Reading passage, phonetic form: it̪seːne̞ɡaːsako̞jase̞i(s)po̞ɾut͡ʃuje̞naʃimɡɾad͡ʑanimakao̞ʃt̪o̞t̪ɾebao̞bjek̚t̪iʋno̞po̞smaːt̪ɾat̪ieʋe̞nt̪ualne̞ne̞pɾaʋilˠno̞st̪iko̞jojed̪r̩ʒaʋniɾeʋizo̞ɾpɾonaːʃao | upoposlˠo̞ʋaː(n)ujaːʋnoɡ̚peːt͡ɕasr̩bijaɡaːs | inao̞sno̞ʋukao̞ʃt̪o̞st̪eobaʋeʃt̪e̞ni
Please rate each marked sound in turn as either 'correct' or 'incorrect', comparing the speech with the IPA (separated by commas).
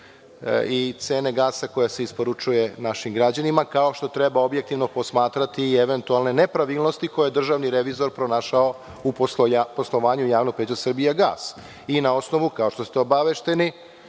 correct, incorrect